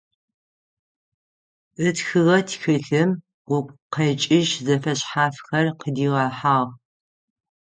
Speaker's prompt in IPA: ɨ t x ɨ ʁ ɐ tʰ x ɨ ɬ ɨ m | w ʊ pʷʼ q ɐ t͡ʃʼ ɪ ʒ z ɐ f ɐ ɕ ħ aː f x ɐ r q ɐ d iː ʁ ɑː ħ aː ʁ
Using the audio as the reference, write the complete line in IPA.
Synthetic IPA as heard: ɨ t x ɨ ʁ ɐ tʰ x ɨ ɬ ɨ m | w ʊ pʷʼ q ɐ t͡ʃʼ ɪ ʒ z ɐ f ɐ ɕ ħ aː f x ɐ r q ə d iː ʁ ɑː ħ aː ʁ